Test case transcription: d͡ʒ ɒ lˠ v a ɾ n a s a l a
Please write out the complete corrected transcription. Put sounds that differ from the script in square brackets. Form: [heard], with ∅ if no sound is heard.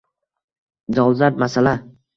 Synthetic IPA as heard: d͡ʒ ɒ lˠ [z] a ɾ [m] a s a l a